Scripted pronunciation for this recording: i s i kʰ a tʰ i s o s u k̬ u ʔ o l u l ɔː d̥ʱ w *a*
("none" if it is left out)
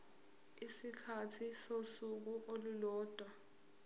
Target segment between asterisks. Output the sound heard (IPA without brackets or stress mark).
a